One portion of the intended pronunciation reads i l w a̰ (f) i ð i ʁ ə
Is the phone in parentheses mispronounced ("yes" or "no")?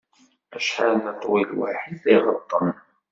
yes